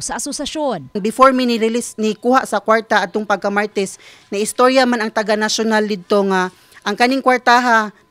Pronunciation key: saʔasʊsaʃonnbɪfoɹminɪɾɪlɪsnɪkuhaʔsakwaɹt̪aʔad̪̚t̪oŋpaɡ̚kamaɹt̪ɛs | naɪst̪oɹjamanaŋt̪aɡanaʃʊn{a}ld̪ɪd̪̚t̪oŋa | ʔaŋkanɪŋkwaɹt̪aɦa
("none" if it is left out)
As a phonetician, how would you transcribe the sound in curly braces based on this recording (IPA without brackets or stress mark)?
a